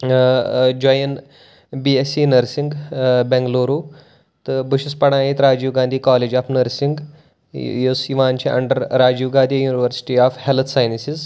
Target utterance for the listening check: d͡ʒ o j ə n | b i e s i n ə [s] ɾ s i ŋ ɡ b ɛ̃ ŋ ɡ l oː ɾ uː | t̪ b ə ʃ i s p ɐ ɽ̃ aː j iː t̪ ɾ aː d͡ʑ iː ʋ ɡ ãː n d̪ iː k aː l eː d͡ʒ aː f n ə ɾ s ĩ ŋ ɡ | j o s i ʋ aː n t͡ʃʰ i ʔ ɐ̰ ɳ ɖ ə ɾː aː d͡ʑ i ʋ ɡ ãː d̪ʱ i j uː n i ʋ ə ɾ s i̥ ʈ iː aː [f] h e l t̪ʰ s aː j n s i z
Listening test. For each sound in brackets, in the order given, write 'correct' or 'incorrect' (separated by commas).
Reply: incorrect, correct